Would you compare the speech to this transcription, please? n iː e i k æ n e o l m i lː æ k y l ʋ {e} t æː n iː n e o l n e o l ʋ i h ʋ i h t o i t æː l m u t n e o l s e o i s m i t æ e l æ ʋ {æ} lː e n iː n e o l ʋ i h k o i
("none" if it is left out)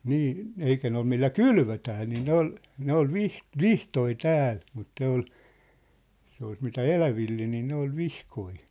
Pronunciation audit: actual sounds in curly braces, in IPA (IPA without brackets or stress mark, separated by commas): ø, i